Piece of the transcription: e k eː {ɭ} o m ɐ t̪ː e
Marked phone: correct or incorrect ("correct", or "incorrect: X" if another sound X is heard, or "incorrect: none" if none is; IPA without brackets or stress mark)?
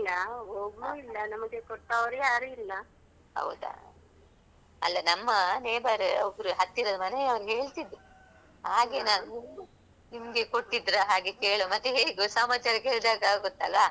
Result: correct